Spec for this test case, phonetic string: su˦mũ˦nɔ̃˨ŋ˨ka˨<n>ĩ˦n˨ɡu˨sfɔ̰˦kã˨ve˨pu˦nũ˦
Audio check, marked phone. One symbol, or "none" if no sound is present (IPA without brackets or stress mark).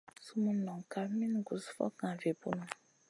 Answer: m